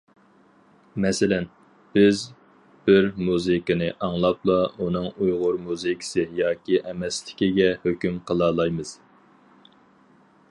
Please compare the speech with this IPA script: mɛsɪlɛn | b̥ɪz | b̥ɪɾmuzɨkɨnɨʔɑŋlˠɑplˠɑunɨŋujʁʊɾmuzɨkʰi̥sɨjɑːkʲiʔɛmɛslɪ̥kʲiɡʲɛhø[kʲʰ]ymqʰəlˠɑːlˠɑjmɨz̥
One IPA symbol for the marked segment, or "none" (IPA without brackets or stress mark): kʲ